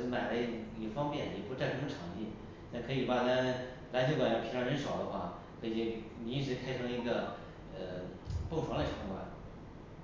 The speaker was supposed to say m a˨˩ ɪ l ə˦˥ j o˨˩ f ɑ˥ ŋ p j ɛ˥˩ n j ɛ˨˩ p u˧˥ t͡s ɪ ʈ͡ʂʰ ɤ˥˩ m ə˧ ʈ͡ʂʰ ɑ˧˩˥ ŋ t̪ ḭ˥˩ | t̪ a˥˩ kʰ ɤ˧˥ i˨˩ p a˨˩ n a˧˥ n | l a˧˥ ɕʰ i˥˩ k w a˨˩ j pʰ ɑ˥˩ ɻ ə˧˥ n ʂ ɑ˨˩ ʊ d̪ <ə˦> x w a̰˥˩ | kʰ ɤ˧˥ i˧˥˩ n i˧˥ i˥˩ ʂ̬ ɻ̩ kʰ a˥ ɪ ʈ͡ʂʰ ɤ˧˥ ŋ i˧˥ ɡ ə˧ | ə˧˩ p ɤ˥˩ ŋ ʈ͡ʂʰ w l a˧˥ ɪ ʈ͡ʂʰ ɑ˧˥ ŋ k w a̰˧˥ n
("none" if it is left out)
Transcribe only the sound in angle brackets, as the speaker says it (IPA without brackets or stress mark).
ə˦